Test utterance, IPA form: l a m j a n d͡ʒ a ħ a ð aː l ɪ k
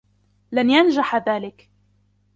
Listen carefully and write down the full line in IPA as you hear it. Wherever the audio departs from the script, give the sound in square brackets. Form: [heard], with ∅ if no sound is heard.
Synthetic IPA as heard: l a [n] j a n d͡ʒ a ħ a ð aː l ɪ k

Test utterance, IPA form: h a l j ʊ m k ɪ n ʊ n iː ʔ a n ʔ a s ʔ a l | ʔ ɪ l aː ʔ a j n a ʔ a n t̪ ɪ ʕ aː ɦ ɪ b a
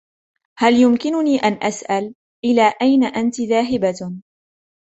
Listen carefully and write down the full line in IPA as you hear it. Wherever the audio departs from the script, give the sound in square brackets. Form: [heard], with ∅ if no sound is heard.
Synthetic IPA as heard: h a l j ʊ m k ɪ n ʊ n iː ʔ a n ʔ a s ʔ a l | ʔ ɪ l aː ʔ a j n a ʔ a n t̪ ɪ [ð] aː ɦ ɪ b a

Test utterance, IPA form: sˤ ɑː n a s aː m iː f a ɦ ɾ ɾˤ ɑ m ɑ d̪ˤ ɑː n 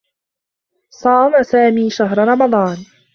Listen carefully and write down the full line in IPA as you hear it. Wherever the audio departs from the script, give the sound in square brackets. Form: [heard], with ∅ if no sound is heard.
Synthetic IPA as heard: sˤ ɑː [m] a s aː m iː [ʃ] a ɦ ɾ ɾˤ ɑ m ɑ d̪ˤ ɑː n

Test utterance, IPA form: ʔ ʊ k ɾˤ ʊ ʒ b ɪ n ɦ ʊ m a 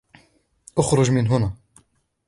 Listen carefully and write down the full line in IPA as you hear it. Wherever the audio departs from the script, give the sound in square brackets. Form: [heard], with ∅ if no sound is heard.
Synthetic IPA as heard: ʔ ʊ [x] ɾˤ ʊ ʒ [m] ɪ n ɦ ʊ [n] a

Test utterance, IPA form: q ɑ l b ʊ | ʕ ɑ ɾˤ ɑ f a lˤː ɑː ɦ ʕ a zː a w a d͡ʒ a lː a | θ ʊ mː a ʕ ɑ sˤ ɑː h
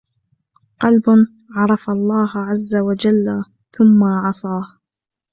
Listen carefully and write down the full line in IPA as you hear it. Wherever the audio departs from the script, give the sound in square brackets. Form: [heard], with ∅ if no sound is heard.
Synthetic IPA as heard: q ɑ l b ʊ | ʕ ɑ ɾˤ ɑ f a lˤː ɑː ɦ ʕ a zː a w a d͡ʒ a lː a | θ ʊ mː a ʕ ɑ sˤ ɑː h

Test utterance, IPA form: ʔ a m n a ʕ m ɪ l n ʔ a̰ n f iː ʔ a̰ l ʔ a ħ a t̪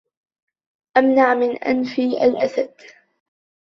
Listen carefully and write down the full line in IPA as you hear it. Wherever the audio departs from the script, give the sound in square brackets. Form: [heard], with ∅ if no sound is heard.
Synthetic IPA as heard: ʔ a m n a ʕ m ɪ [∅] n ʔ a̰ n f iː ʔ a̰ l ʔ a [s] a [d̪]

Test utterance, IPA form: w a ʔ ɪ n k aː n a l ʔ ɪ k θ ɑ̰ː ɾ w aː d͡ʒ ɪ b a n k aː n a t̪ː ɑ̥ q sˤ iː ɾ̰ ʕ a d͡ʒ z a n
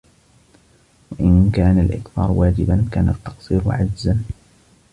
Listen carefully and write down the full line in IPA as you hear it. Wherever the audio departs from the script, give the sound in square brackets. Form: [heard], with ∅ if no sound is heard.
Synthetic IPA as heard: w a ʔ ɪ n k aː n a l ʔ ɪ k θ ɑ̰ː ɾ w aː d͡ʒ ɪ b a n k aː n a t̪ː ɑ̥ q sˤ iː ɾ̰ ʕ a d͡ʒ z a n

